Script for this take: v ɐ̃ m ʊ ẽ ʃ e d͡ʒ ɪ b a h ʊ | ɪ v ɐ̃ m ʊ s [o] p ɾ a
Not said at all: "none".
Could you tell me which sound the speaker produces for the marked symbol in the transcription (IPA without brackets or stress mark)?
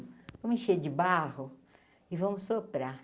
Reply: o